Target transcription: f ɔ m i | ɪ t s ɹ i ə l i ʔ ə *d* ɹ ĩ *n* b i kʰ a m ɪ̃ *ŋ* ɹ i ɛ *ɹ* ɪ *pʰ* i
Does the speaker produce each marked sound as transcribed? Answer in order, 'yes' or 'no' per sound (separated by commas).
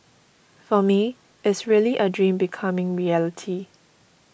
yes, no, yes, no, no